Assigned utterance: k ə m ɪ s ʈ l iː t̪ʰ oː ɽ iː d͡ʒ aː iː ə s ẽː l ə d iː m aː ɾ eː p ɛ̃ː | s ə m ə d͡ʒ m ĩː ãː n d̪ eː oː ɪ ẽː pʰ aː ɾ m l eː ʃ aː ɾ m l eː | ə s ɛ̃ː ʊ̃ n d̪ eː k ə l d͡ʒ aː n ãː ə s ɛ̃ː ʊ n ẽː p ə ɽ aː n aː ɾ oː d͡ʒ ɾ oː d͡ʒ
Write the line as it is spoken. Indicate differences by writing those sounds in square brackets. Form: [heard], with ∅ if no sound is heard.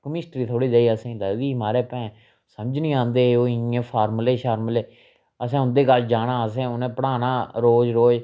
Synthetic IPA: k ə m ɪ s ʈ [ɾ] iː t̪ʰ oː ɽ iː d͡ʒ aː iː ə s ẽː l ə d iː m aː ɾ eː p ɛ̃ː | s ə m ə d͡ʒ [n] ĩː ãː n d̪ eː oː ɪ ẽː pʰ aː ɾ m l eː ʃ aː ɾ m l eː | ə s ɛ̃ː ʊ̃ n d̪ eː k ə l d͡ʒ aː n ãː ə s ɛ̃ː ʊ n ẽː p ə ɽ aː n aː ɾ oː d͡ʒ ɾ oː d͡ʒ